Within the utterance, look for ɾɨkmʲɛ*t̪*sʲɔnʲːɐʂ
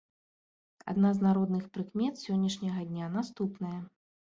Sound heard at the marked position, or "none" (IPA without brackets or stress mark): t̪